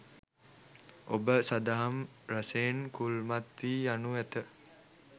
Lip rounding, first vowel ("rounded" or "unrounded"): rounded